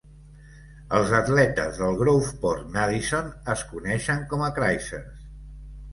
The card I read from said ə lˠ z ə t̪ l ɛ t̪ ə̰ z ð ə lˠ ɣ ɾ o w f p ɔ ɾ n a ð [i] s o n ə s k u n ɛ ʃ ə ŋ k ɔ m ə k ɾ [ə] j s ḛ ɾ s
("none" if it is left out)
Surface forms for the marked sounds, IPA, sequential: i, a

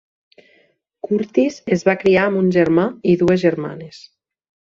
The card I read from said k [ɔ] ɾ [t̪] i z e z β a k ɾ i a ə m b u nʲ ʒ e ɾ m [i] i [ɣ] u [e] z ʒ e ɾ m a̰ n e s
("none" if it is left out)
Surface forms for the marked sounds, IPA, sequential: u, t̪, a, ð, e

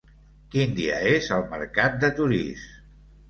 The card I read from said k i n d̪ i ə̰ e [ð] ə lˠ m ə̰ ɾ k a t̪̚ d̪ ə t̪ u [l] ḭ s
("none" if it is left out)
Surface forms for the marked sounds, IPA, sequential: z, ɾ

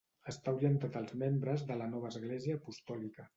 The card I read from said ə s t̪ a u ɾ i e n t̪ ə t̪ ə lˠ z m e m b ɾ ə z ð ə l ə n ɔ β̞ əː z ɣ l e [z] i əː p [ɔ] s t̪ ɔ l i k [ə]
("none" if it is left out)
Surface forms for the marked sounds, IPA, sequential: z, u, ə

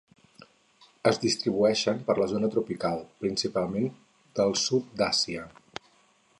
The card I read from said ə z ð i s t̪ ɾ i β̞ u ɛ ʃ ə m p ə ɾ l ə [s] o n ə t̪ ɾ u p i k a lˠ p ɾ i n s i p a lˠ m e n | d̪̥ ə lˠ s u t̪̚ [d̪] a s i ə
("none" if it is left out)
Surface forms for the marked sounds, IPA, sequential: z, d̪

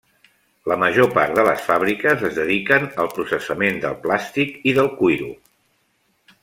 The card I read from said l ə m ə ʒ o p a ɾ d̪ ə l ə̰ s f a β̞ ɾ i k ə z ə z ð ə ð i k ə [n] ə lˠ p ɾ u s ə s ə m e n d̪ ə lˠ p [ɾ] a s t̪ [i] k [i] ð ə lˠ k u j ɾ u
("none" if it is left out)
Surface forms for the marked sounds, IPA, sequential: n, l, i, i

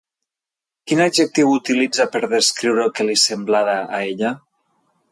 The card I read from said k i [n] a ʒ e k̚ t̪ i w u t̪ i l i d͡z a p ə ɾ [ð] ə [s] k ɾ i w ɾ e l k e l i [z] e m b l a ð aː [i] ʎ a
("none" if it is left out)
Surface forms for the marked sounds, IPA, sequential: n, ð, s, s, e

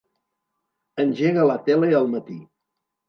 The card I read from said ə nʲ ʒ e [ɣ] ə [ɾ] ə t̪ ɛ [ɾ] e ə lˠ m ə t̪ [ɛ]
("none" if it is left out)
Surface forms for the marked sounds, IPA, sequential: ɣ, l, l, i

